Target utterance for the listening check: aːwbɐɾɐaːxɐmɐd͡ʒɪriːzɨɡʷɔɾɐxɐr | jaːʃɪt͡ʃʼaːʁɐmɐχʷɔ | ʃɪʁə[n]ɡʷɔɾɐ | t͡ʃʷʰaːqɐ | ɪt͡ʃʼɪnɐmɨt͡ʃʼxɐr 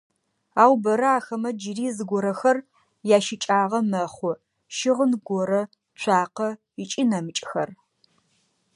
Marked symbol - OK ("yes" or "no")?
yes